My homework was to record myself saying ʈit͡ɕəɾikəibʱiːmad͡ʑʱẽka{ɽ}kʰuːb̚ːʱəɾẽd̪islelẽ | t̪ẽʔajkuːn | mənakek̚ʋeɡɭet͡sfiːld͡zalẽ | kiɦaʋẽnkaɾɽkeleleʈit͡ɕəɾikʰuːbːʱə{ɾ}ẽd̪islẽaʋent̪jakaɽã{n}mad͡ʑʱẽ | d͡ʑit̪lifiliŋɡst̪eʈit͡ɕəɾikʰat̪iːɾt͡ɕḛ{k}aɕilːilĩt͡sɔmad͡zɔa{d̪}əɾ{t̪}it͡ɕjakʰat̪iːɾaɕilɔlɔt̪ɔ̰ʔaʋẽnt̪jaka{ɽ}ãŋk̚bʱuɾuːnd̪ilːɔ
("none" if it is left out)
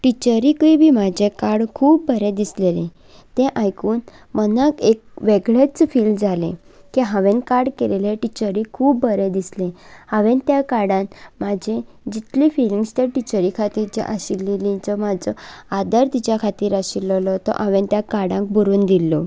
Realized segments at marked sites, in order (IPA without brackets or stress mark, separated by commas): ɽ, ɾ, n, ʔ, d̪, t̪, ɽ